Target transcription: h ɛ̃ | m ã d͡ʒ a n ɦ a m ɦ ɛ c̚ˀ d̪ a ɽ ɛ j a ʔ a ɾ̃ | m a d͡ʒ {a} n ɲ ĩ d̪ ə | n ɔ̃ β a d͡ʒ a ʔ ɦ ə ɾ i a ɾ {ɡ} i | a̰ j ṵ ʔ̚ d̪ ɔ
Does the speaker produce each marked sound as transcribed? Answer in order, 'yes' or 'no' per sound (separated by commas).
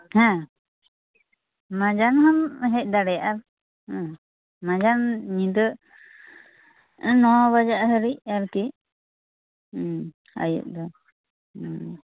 yes, no